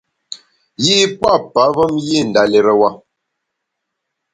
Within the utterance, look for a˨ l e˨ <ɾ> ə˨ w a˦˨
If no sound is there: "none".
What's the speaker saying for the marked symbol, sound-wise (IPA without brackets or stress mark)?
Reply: ɾ